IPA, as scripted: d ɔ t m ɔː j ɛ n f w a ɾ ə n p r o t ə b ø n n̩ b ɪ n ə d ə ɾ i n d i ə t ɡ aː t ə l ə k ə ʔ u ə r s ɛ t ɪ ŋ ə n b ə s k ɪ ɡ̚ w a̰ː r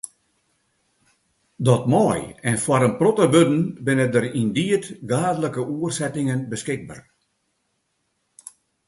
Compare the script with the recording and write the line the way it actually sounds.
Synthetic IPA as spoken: d ɔ t m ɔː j ɛ n f w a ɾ ə n p r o t ə b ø d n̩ b ɪ n ə d ə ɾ i n d i ə t ɡ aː d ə l ə k ə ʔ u ə r s ɛ t ɪ ŋ ə n b ə s k ɪ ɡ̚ b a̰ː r